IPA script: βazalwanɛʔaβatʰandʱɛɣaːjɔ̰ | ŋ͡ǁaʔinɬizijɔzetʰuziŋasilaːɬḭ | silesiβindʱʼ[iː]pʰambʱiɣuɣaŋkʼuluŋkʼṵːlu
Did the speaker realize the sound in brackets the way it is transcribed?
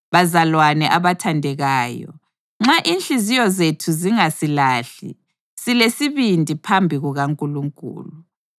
no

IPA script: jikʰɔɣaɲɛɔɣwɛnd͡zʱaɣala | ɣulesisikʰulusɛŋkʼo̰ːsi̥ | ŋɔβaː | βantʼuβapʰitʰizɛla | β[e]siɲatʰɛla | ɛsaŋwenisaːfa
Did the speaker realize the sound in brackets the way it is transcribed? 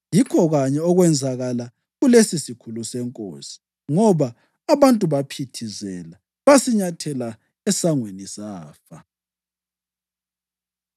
no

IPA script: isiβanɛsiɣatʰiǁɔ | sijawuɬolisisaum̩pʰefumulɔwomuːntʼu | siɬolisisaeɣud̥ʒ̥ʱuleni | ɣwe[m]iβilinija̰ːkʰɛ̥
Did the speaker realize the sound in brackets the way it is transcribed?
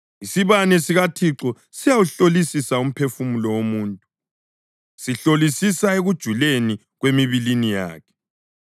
yes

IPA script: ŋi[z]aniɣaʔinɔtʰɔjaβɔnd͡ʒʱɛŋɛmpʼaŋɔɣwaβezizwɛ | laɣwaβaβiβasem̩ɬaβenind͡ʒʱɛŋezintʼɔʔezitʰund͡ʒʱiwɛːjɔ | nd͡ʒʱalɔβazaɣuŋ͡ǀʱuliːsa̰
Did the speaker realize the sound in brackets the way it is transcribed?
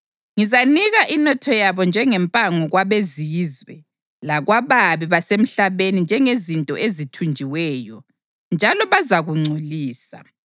yes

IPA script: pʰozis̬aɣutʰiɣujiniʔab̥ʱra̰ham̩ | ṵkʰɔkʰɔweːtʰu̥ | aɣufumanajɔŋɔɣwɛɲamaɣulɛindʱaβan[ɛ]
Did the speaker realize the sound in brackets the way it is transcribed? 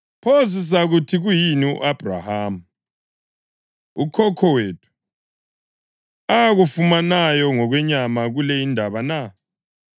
no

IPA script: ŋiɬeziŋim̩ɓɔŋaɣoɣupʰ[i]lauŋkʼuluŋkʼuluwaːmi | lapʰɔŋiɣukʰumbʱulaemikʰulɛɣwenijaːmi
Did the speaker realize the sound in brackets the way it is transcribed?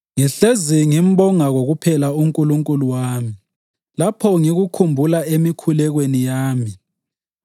no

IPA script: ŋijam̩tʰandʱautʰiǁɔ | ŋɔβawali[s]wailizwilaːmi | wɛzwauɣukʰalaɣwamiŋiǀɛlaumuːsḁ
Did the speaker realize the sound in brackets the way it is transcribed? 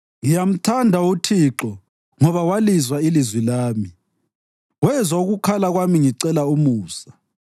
no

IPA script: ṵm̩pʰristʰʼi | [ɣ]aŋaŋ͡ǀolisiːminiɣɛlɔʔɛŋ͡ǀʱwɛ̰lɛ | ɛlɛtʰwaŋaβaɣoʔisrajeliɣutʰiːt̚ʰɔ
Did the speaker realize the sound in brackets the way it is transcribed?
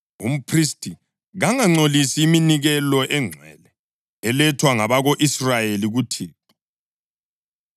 yes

